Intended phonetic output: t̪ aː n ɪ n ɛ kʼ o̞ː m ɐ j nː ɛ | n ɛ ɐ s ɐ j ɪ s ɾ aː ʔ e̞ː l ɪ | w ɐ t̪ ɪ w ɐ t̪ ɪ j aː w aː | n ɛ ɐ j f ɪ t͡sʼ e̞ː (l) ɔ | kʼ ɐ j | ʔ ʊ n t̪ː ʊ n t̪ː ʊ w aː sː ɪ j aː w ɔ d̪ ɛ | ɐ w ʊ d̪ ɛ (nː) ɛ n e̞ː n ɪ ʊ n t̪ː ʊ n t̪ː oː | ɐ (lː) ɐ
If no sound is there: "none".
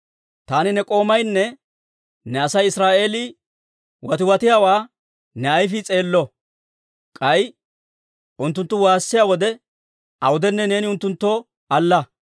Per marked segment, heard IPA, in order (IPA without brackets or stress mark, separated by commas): lː, nː, lː